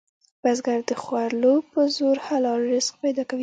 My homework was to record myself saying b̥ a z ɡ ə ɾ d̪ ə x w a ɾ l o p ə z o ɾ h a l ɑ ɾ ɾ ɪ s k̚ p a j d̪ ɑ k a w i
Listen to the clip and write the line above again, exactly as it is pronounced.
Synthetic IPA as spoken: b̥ a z ɡ a ɾ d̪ ə x w a ɾ l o p ə z o ɾ h a l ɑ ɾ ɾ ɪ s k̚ p a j d̪ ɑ k a w i